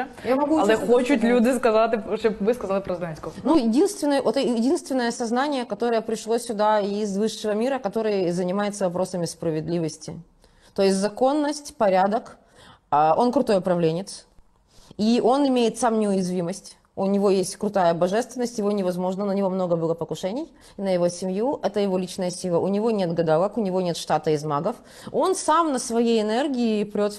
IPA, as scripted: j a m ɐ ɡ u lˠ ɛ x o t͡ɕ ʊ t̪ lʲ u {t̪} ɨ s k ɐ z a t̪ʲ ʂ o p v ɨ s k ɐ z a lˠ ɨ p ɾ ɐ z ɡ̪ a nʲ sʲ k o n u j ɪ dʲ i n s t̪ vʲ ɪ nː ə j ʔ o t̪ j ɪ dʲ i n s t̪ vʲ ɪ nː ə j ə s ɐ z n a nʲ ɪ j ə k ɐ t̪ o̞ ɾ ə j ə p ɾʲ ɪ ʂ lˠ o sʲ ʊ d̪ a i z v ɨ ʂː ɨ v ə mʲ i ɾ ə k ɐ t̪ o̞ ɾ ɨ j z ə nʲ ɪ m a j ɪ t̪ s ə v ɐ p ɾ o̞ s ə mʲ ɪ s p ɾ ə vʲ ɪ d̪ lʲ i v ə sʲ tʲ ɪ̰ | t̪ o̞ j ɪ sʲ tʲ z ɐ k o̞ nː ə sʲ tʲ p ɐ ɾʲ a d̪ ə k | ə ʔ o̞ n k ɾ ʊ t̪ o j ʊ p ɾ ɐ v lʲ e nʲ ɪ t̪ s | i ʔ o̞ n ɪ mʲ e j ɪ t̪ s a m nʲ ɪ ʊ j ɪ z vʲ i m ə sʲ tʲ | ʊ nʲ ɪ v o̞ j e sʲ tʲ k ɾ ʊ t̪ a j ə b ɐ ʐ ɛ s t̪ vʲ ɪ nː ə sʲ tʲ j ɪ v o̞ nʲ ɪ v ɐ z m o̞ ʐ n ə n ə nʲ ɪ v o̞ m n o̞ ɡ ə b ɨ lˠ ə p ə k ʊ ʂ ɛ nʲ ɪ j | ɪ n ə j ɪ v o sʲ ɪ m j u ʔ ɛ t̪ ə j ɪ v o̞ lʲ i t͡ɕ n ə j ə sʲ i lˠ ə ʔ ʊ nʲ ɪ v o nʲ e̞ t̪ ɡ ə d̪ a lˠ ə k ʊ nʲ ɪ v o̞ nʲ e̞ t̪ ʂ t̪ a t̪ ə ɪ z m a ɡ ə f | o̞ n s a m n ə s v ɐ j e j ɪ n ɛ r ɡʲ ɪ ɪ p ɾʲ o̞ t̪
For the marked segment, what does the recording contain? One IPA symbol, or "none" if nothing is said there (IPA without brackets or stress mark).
d̪